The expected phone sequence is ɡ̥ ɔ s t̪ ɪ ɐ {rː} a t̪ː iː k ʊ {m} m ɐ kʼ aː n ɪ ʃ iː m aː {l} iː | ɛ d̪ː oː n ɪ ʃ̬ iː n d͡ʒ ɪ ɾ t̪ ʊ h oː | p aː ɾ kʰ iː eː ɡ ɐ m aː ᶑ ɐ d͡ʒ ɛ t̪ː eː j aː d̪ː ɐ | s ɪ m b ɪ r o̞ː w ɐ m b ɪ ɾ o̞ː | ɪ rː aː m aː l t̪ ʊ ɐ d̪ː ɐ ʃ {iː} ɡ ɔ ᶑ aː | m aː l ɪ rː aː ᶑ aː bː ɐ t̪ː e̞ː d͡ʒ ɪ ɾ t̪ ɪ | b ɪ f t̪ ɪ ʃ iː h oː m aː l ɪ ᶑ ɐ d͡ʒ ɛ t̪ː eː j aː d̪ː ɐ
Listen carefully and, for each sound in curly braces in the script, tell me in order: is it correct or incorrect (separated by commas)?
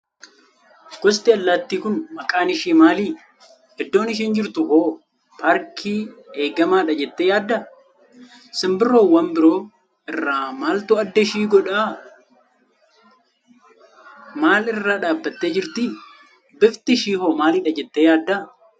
incorrect, incorrect, correct, correct